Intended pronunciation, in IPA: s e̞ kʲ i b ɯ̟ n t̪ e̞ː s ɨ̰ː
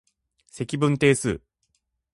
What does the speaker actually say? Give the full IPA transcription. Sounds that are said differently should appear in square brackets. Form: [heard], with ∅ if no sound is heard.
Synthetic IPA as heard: s e̞ kʲ i b [ɯ̟̃] n t̪ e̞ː s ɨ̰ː